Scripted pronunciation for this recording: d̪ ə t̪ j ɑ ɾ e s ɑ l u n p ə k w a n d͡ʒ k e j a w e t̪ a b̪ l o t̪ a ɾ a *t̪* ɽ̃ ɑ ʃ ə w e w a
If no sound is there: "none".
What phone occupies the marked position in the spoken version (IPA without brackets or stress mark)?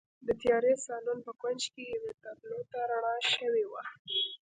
none